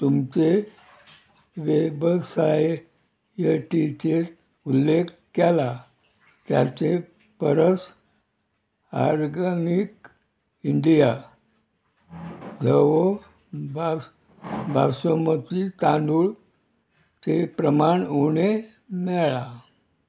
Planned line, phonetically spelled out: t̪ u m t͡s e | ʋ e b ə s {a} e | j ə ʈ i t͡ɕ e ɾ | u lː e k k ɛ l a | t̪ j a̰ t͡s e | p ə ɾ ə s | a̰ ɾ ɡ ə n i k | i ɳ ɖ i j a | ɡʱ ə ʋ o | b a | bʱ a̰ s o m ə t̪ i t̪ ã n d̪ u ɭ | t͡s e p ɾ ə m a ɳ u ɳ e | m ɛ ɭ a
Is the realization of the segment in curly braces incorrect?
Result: no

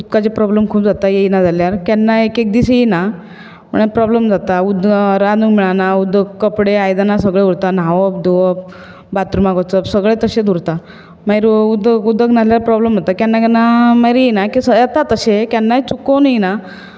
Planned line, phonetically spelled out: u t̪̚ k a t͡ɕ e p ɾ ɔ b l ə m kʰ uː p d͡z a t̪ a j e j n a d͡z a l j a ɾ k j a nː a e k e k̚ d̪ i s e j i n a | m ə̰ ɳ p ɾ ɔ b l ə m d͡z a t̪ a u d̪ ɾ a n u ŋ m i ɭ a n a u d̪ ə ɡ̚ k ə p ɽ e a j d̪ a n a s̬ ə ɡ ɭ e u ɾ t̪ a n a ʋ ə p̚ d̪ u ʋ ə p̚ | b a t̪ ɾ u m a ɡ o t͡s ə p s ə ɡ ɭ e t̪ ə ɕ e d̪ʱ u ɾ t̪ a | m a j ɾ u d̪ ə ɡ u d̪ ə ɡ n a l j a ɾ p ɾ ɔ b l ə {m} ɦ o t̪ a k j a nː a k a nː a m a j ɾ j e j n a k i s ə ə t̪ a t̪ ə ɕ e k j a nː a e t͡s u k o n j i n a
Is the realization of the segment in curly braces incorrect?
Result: no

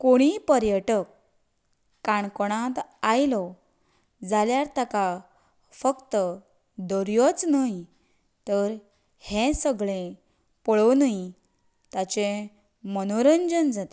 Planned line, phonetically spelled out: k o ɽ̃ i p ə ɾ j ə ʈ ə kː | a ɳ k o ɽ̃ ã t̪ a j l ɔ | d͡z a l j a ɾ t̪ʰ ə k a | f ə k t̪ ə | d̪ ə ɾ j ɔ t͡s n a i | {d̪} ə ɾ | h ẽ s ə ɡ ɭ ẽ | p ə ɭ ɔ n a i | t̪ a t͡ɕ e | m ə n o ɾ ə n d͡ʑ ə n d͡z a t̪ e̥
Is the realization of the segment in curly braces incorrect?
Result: yes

